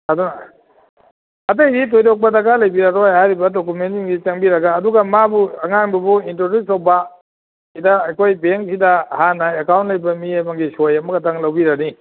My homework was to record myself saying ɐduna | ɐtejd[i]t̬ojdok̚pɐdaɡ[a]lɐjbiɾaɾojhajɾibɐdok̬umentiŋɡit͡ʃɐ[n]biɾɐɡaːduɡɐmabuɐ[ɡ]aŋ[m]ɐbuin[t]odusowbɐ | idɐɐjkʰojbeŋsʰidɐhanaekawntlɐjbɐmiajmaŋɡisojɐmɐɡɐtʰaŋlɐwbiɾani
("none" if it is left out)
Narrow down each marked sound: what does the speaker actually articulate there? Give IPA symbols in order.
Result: i, a, ŋ, ŋ, b, t

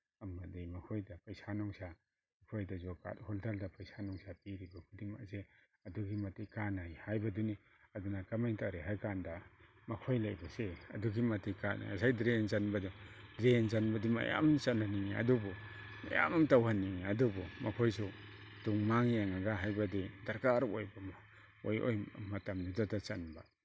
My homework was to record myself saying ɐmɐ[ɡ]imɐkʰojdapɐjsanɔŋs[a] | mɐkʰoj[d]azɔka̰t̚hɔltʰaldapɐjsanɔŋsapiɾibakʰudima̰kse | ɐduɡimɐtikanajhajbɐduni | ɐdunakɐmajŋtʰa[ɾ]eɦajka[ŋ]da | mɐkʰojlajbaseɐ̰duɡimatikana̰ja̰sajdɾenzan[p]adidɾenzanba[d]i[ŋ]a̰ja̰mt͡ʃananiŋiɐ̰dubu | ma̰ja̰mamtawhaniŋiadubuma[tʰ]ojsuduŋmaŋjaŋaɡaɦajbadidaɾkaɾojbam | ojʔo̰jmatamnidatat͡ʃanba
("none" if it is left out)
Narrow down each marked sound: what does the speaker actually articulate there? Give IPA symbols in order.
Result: d, a, d, ɾ, n, b, d, m, kʰ

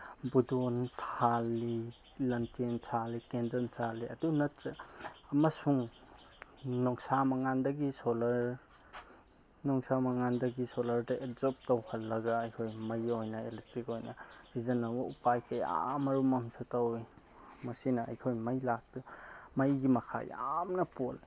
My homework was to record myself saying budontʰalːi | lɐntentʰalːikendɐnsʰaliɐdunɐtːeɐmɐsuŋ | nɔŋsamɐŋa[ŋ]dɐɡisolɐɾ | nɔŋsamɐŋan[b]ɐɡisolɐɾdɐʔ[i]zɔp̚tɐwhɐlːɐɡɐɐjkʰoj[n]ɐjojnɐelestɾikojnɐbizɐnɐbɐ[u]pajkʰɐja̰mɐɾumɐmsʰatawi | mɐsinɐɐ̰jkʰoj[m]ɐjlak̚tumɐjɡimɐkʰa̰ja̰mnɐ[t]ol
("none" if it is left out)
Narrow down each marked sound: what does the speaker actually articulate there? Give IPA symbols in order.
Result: n, d, e, m, u, m, p

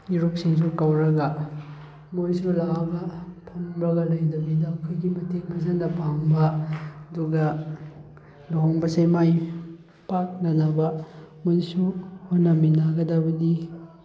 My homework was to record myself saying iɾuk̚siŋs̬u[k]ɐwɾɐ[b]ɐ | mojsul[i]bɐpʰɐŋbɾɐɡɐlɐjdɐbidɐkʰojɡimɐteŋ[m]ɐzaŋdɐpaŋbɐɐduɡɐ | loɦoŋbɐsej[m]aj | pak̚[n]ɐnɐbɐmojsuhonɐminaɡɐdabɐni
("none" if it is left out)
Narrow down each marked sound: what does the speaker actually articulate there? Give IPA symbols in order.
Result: k, ɡ, a, m, m, n

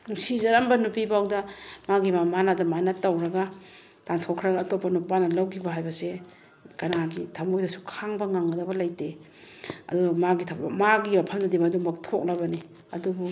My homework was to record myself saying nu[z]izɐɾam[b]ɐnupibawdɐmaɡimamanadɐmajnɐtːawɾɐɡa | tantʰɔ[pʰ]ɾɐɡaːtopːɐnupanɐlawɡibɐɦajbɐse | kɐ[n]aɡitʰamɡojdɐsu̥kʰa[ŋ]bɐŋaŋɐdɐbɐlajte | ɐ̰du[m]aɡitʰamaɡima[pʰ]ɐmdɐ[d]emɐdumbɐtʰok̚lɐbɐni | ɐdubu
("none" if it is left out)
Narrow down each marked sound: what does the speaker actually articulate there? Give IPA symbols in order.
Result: s, b, kʰ, n, ŋ, m, pʰ, d

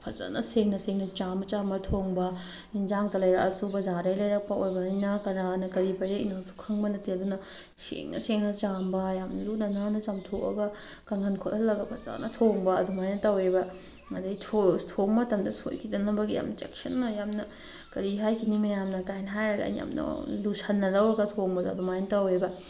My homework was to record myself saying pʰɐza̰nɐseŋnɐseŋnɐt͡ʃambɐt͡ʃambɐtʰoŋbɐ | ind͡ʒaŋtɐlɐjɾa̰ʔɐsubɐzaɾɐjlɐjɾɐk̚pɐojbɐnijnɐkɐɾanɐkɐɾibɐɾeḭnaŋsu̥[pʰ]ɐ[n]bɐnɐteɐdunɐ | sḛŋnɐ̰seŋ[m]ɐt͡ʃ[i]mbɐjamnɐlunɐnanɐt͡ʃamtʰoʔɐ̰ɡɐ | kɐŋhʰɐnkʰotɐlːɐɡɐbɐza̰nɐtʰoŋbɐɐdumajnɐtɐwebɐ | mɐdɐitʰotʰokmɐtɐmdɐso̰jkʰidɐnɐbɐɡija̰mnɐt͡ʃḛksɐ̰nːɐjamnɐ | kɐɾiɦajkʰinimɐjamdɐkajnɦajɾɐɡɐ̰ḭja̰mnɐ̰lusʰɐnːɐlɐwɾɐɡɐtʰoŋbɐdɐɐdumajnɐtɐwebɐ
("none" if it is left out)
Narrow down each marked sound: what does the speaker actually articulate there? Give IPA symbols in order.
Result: kʰ, ŋ, n, a

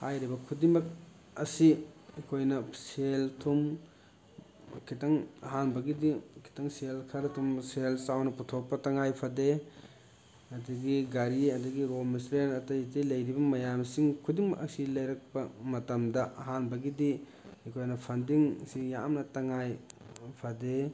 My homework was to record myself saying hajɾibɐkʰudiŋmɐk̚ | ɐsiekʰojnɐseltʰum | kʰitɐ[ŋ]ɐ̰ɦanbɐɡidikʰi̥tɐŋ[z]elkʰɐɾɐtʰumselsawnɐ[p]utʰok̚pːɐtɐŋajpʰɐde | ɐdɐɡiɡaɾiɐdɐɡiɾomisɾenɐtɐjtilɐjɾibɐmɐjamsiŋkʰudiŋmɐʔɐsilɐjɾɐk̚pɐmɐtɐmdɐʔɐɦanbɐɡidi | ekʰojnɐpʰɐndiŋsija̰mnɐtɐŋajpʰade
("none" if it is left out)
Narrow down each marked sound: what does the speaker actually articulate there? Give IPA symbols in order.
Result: ŋ, s, p

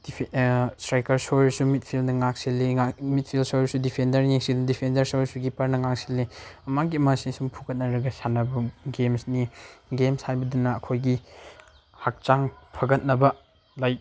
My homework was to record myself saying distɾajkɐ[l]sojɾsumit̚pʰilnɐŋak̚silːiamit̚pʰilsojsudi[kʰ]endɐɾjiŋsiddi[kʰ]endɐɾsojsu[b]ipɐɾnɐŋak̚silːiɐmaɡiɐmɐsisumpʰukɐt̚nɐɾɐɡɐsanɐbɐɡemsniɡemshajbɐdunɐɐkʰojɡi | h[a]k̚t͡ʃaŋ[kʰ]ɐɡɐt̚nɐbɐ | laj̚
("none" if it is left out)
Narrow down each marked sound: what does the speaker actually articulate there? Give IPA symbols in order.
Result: ɾ, pʰ, pʰ, ɡ, a, pʰ

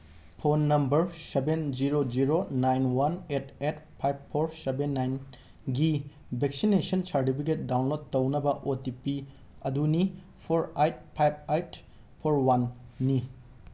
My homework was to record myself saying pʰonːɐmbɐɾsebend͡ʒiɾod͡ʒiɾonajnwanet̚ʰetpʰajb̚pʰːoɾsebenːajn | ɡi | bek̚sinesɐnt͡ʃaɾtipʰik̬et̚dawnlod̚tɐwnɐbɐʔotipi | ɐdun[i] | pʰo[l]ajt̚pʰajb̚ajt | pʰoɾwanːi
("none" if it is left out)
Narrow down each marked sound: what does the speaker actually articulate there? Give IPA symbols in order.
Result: i, ɾ

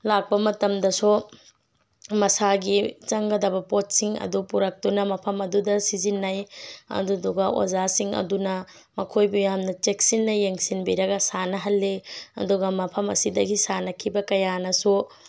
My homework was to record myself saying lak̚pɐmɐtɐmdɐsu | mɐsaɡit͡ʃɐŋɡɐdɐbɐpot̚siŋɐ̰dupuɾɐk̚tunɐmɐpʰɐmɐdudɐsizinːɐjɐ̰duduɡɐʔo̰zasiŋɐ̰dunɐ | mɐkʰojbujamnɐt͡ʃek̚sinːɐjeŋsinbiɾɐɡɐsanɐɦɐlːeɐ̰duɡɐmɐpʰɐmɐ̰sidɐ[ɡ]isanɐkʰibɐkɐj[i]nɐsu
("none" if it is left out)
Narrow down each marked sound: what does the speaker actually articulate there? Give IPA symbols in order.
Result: ɡ, a

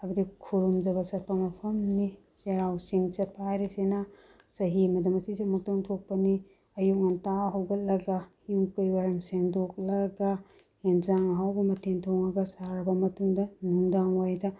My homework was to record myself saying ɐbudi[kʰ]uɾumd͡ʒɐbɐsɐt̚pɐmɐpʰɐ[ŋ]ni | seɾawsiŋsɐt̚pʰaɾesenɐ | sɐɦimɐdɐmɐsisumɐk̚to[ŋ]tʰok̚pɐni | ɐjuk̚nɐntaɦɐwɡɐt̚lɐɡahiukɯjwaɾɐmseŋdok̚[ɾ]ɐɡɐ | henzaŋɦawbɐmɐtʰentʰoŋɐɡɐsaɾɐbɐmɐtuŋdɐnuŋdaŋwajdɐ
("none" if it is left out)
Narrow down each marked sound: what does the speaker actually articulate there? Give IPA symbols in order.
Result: kʰ, m, ŋ, l

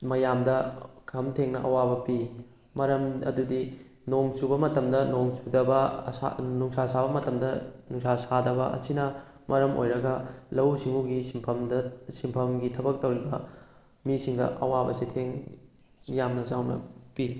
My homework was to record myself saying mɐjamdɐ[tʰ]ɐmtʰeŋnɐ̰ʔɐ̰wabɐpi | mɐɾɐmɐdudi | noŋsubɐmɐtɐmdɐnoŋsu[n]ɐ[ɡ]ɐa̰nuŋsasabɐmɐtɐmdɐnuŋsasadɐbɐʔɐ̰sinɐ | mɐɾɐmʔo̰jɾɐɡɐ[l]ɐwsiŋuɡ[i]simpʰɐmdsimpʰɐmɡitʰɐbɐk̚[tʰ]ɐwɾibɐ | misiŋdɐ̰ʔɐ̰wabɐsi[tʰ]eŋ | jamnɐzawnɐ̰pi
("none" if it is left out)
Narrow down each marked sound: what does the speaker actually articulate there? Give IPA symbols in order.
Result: kʰ, d, b, l, i, t, tʰ

